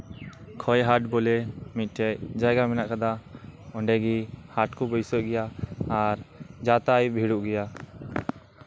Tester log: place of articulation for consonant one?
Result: velar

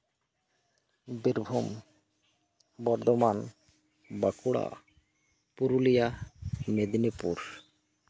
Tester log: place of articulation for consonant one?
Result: labial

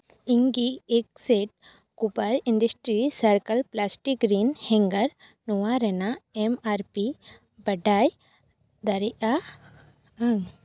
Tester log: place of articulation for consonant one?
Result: velar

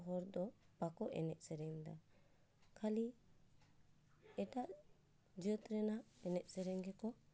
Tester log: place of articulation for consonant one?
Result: glottal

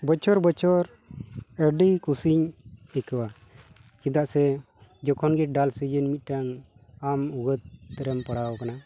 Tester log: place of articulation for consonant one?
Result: labial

